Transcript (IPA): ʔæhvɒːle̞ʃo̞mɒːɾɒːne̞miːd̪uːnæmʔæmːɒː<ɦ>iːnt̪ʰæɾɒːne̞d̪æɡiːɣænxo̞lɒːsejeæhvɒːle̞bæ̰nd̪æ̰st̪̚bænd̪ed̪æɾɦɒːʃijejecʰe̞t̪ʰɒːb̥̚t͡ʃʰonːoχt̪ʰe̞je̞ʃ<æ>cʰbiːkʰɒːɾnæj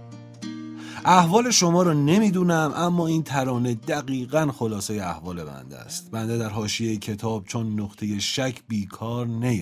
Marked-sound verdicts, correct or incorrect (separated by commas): incorrect, correct